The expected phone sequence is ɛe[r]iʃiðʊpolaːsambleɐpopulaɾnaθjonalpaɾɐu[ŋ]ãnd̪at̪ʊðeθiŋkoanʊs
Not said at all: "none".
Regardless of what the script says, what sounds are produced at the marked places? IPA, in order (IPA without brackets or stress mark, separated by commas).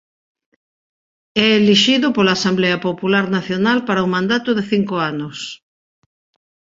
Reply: l, m